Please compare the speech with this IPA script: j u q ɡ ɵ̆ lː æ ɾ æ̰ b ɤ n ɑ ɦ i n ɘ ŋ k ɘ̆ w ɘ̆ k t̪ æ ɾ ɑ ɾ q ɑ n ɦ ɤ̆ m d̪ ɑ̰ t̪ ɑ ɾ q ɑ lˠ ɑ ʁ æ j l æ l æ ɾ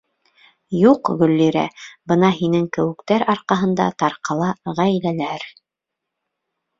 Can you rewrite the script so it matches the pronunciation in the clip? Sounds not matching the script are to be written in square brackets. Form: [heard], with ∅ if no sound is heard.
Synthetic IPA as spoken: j u q ɡ ɵ̆ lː [i] ɾ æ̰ b ɤ n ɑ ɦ i n ɘ ŋ k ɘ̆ w ɘ̆ k t̪ æ ɾ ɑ ɾ q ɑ [∅] ɦ ɤ̆ [n] d̪ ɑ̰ t̪ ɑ ɾ q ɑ lˠ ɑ ʁ æ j l æ l æ ɾ